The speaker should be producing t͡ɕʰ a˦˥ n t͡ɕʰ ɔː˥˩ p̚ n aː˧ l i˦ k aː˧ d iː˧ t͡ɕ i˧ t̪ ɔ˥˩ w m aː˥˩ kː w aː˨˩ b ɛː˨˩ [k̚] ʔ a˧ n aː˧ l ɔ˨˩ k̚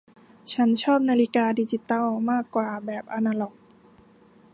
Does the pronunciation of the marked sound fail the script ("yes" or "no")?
yes